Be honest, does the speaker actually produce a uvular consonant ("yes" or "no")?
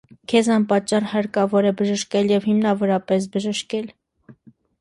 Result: no